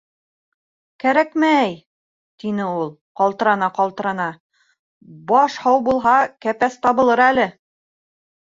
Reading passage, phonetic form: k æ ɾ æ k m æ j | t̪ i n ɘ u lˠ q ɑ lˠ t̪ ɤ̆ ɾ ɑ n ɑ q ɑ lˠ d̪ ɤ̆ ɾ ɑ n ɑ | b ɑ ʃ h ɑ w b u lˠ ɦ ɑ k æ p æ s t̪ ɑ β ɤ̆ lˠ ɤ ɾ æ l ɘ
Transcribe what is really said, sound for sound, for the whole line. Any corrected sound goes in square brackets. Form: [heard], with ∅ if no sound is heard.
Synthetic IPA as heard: k æ ɾ æ k m æ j | t̪ i n ɘ u lˠ q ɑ lˠ t̪ ɤ̆ ɾ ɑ n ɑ q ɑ lˠ [t̪] ɤ̆ ɾ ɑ n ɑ | b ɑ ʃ h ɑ w b u lˠ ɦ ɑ k æ p æ s t̪ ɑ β ɤ̆ lˠ ɤ ɾ æ l ɘ